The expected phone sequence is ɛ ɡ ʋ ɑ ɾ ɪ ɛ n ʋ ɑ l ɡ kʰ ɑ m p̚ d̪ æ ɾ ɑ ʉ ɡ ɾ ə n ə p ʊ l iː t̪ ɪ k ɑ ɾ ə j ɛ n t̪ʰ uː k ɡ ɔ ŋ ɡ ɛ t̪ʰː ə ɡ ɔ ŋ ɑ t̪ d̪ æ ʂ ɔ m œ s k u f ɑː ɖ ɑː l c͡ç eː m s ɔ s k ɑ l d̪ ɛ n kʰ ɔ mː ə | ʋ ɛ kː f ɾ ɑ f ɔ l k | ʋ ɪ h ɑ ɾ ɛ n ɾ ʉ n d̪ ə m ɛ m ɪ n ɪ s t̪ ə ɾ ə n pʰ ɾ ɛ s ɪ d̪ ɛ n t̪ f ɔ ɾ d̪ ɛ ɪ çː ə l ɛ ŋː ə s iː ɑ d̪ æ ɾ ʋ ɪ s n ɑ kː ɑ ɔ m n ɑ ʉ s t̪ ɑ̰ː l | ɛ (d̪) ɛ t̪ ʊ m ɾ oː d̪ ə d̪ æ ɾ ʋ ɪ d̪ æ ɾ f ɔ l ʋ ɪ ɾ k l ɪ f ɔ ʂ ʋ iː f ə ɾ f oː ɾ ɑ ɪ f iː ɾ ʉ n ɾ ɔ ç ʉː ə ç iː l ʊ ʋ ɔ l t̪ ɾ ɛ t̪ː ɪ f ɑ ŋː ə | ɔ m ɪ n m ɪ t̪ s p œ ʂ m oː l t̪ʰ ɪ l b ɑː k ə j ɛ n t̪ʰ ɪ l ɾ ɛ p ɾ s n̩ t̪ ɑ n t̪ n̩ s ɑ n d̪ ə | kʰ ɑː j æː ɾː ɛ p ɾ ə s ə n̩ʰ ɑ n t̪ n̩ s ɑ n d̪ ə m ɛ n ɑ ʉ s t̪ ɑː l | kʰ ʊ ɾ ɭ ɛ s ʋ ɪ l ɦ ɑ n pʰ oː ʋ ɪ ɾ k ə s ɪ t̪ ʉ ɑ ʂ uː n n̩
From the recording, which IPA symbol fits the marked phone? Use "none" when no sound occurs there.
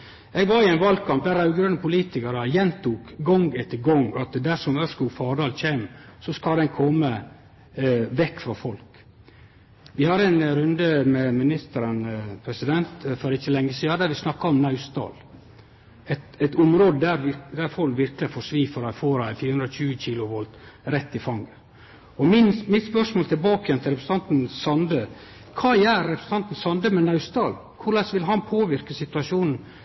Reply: t̪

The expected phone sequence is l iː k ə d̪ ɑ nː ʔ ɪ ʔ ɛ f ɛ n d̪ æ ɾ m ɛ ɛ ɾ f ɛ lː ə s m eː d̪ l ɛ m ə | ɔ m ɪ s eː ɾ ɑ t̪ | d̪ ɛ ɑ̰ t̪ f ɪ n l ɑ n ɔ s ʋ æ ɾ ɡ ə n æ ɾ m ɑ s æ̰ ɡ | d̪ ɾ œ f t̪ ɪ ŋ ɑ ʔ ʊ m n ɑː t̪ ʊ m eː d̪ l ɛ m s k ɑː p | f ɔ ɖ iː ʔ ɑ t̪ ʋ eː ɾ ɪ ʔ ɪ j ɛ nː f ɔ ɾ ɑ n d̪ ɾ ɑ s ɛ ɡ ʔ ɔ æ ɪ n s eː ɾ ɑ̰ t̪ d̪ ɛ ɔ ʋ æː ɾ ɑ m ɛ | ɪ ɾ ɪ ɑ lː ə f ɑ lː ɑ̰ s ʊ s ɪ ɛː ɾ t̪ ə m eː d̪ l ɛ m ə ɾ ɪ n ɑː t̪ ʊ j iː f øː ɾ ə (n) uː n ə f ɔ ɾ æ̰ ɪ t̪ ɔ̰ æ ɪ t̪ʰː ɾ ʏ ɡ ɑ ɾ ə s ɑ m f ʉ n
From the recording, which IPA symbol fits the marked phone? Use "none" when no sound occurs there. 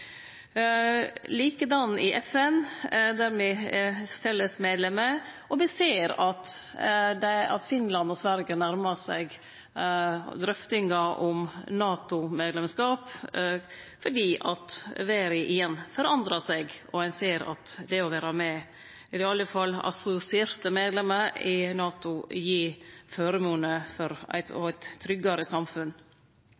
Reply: m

